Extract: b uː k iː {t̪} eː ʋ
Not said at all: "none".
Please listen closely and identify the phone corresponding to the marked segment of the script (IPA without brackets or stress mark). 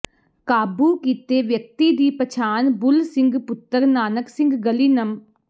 t̪